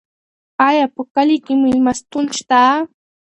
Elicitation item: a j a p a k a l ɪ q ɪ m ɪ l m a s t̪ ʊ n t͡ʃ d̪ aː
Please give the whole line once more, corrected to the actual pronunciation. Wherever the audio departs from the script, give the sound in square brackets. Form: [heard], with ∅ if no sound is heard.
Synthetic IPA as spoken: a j a p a k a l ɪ [k] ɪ m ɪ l m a s t̪ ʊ n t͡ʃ [t̪] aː